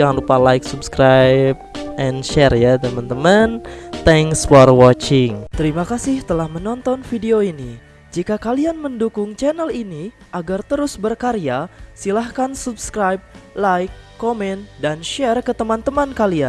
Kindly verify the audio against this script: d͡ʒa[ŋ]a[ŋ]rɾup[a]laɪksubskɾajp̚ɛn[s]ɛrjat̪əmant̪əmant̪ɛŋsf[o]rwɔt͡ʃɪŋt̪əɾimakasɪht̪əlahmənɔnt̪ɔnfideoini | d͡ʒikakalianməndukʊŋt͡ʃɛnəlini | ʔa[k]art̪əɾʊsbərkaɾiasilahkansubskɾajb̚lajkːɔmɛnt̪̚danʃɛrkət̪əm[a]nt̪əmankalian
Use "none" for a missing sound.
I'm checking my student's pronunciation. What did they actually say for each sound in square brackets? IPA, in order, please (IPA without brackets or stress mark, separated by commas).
ŋ, n, a, ʃ, ɔ, ɡ, a